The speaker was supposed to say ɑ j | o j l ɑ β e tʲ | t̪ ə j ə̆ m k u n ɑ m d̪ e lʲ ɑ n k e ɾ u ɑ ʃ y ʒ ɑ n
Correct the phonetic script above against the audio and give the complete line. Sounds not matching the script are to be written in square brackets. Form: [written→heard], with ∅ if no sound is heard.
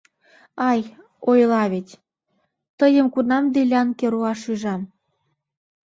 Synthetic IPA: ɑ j | o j l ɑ β e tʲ | t̪ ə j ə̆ m k u n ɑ m d̪ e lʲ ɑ n k e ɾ u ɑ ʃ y ʒ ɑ [n→m]